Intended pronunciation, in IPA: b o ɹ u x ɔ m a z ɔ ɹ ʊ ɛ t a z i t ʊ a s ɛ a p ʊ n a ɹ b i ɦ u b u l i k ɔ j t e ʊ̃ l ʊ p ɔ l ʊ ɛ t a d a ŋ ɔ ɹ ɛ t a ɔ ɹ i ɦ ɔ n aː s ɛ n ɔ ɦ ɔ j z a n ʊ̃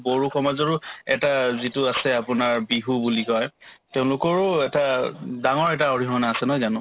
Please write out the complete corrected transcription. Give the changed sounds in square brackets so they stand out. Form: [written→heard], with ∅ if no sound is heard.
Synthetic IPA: b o ɹ u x ɔ m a z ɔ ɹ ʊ ɛ t a z i t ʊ a s ɛ a p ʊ n a ɹ b i ɦ u b u l i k ɔ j t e ʊ̃ l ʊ [p→k] ɔ [l→ɹ] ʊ ɛ t a d a ŋ ɔ ɹ ɛ t a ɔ ɹ i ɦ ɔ n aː s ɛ n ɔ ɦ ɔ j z a n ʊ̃